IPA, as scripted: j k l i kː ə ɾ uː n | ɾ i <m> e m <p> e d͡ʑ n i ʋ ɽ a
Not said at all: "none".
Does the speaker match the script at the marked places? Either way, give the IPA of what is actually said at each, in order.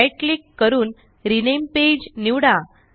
n, p

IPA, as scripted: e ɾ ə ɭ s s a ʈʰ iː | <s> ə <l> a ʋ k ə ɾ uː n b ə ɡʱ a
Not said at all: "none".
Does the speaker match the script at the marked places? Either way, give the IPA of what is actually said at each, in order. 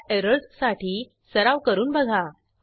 s, ɾ

